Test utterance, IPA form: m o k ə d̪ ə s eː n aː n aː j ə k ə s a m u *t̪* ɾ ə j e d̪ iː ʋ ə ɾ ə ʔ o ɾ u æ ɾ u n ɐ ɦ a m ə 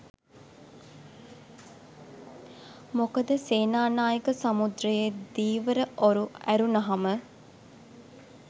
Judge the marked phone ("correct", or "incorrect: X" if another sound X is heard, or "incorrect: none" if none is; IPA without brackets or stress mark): incorrect: d̪